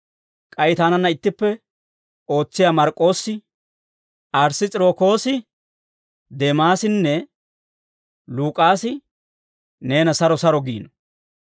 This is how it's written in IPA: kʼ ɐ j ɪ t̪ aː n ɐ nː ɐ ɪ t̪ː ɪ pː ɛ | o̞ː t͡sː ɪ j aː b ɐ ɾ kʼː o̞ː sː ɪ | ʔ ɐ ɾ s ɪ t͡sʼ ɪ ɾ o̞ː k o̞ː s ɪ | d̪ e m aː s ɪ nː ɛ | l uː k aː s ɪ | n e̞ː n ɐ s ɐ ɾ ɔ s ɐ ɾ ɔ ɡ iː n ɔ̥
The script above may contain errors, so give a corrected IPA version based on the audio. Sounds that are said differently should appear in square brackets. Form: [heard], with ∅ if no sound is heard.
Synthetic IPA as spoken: kʼ ɐ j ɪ t̪ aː n ɐ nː ɐ ɪ t̪ː ɪ pː ɛ | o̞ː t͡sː ɪ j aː [m] ɐ ɾ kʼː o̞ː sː ɪ | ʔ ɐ ɾ s ɪ t͡sʼ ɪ ɾ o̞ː k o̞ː s ɪ | d̪ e m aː s ɪ nː ɛ | l uː [kʼ] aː s ɪ | n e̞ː n ɐ s ɐ ɾ ɔ s ɐ ɾ ɔ ɡ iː n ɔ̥